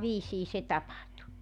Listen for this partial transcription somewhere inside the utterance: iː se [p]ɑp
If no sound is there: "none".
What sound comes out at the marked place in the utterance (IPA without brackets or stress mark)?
t